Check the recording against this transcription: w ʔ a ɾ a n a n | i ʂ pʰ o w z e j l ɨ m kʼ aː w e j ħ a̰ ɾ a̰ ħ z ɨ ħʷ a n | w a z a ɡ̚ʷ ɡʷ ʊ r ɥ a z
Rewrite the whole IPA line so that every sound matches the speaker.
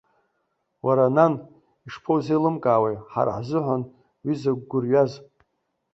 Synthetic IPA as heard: w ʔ a ɾ a n a n | i ʂ pʰ o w z e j l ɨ m kʼ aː w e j ħ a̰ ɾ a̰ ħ z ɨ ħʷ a n | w i z a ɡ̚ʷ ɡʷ ʊ r ɥ a z